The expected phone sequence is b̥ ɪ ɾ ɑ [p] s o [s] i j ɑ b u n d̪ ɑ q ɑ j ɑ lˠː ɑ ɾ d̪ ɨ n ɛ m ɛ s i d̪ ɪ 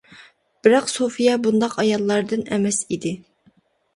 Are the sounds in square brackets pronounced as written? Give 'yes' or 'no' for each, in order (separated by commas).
no, no